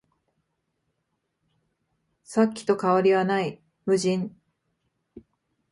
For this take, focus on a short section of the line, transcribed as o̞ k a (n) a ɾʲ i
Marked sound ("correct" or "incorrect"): incorrect